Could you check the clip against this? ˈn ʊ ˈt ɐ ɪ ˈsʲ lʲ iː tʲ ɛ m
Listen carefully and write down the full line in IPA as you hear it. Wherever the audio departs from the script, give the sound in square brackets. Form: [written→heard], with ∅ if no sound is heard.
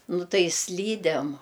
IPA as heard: ˈn ʊ ˈt ɐ ɪ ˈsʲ lʲ iː [tʲ→dʲ] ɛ m